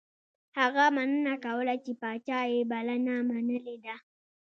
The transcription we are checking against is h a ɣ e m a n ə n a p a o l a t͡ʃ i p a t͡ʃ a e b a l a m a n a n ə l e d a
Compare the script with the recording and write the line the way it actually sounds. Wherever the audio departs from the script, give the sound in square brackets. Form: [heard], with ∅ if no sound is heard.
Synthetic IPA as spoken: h a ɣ [a] m a n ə n a [k] a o l a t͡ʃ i p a t͡ʃ a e b a l a [n] a [m] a n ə l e d a